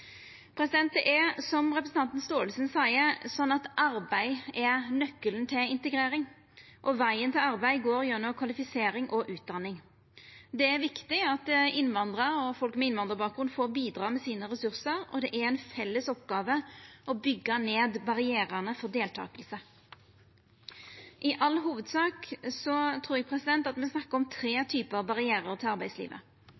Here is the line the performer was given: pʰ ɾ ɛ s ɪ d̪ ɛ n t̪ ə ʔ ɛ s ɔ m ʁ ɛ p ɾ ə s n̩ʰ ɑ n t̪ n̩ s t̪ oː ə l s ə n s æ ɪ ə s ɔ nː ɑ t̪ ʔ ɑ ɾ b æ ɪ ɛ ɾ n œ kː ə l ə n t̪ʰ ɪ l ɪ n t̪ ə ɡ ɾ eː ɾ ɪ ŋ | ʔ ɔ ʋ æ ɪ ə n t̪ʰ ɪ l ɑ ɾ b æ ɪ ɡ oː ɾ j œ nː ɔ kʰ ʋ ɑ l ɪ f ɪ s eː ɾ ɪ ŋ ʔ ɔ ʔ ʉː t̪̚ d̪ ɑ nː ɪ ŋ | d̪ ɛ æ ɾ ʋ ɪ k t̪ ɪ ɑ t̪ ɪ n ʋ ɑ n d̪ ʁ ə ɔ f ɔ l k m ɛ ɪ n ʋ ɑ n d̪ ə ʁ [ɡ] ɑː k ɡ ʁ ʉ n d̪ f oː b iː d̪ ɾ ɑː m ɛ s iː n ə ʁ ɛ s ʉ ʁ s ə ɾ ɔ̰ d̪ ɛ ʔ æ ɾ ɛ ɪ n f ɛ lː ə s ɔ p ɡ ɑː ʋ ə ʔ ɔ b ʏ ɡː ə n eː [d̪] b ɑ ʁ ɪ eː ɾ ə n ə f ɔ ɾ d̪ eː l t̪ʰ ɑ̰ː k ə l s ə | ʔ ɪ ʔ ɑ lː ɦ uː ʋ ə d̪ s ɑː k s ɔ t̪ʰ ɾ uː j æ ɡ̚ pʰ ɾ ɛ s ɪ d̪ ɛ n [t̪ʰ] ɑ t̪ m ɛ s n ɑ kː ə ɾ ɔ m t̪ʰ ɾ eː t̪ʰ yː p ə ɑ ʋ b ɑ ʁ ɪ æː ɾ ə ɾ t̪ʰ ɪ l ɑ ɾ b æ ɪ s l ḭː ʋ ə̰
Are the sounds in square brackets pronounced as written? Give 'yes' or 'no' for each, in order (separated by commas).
no, yes, no